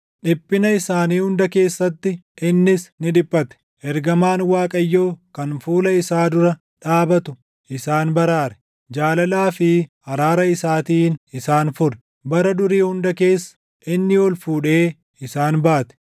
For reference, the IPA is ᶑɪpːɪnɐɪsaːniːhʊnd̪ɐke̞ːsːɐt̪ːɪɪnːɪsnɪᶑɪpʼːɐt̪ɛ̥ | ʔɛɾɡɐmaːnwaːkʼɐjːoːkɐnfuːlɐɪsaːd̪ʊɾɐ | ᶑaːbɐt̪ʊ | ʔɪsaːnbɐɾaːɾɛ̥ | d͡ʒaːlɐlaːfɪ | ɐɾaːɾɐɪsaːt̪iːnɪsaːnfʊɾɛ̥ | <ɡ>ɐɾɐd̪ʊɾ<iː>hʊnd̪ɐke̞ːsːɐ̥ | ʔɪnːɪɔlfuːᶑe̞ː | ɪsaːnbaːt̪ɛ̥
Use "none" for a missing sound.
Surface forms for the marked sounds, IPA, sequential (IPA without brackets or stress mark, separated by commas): b, iː